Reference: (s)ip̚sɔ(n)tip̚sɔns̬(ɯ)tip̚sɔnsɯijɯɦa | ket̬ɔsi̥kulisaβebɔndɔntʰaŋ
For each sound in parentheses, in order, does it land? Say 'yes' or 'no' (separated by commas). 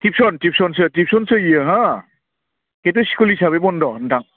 no, yes, yes